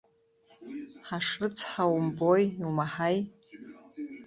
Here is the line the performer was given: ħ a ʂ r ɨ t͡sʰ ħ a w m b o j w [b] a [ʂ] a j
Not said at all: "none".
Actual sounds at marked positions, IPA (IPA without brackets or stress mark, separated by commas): m, ħ